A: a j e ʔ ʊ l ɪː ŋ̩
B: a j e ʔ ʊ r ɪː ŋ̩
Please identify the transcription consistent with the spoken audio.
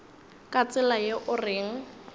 B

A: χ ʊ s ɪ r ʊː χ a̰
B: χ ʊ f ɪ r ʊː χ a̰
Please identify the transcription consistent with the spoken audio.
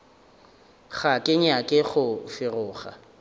B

